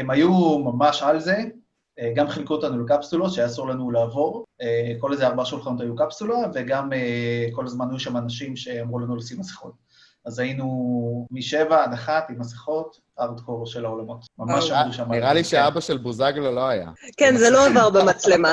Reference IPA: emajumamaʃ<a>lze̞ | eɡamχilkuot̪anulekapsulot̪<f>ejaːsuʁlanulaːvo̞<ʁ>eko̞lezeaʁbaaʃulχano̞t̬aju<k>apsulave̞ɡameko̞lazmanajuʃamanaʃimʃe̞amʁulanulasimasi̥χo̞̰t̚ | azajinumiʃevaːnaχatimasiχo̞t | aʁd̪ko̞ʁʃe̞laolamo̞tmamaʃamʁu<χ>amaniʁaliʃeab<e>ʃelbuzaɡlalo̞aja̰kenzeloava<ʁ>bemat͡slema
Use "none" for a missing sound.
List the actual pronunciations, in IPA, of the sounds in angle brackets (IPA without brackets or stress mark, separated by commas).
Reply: a, ʃ, ʁ, k, ʃ, a, ʁ